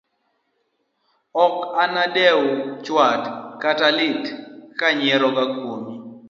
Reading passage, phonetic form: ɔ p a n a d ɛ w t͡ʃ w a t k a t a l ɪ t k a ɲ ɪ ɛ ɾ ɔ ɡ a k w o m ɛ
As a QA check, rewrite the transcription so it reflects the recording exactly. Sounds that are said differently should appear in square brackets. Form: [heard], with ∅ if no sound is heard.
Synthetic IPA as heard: ɔ [k] a n a d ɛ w t͡ʃ w a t k a t a l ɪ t k a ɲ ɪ ɛ ɾ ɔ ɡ a k w o m [i]